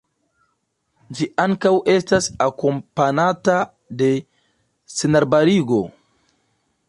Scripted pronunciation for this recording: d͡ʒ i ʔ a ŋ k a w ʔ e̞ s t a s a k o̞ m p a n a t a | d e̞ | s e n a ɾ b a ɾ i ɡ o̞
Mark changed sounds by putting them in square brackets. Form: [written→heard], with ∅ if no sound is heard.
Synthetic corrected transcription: d͡ʒ i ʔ a ŋ k a w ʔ e̞ s t a s a k o̞ m p a n a t a | d e̞ | s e n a ɾ b a ɾ i ɡ o̞

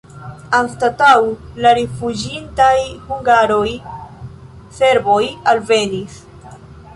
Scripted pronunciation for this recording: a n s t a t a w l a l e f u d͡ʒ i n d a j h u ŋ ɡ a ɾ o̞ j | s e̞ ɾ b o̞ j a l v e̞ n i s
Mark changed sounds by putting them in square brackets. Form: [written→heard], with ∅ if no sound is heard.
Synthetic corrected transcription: a n s t a t a w l a [l→ɾ] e f u d͡ʒ i n [d→t] a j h u ŋ ɡ a ɾ o̞ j | s e̞ ɾ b o̞ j a l v e̞ n i s

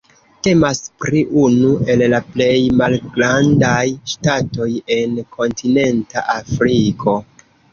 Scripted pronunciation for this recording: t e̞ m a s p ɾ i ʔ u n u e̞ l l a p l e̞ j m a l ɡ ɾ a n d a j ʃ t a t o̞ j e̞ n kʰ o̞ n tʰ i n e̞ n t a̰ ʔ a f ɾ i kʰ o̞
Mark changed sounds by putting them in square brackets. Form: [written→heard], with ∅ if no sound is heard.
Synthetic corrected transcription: t e̞ m a s p ɾ i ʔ u n u e̞ l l a p l e̞ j m a l ɡ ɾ a n d a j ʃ t a t o̞ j e̞ n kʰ o̞ n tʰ i n e̞ n t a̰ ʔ a f ɾ i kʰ o̞

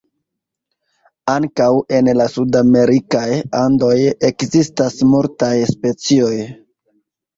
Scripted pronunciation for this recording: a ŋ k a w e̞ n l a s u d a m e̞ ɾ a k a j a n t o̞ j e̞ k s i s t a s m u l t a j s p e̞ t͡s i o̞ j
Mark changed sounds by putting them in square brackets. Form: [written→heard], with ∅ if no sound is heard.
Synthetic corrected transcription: a ŋ k a w e̞ n l a s u d a m e̞ ɾ [a→i] k a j a n [t→d] o̞ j e̞ k [s→z] i s t a s m u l t a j s p e̞ t͡s i o̞ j

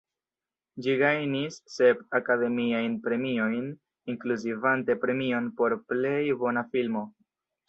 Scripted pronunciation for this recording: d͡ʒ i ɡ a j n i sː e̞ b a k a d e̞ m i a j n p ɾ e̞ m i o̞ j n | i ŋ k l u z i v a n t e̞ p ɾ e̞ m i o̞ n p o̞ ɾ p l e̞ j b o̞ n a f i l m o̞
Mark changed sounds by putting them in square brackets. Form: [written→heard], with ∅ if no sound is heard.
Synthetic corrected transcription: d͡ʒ i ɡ a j n i sː e̞ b a k a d e̞ m i a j n p ɾ e̞ m i o̞ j n | i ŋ k l u z i v a n t e̞ p ɾ e̞ m i o̞ n p o̞ ɾ p l e̞ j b o̞ n a f i l m o̞

